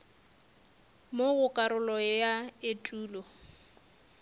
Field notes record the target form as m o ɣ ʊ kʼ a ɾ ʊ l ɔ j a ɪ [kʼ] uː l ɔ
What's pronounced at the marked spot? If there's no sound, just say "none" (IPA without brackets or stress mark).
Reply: tʼ